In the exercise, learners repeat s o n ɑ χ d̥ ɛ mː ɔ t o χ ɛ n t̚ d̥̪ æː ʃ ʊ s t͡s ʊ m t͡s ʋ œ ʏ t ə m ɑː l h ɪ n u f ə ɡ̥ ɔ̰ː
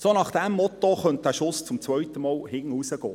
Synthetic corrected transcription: s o n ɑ χ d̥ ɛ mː ɔ t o χ œ n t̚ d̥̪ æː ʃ ʊ s t͡s ʊ m t͡s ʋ œ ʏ t ə m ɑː l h ɪ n u s ə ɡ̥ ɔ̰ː